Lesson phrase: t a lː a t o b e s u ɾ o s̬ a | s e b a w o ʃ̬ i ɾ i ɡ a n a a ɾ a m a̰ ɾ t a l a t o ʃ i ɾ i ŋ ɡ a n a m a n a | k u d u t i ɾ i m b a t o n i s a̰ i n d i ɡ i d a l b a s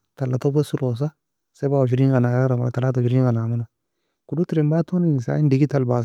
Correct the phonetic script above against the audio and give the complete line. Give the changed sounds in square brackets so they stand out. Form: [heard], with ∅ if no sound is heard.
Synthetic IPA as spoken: t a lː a t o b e s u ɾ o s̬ a | s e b a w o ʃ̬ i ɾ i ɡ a n a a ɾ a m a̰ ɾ t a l a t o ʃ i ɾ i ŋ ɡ a n a m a n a | k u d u t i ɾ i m b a t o n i s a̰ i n d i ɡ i [t] a l b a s